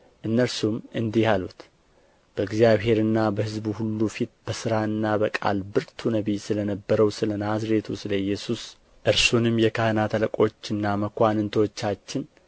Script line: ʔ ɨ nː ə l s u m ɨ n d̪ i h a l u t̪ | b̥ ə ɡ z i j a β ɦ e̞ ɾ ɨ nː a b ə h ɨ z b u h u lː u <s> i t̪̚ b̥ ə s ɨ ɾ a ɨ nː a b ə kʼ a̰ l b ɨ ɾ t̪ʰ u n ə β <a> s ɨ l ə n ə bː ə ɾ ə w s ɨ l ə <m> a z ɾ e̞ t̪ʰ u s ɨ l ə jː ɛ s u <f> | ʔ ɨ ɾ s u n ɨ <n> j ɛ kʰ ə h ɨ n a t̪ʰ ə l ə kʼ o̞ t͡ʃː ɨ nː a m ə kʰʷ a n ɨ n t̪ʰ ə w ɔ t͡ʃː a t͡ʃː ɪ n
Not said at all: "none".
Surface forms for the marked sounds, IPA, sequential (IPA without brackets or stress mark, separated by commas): f, i, n, s, m